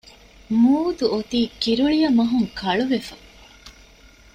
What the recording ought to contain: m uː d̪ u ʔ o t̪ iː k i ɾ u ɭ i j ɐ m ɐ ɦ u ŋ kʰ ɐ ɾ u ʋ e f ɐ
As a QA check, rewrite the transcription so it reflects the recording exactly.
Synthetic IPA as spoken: m uː d̪ u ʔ o t̪ iː k i ɾ u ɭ i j ɐ m ɐ ɦ u ŋ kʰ ɐ ɭ u ʋ e f ɐ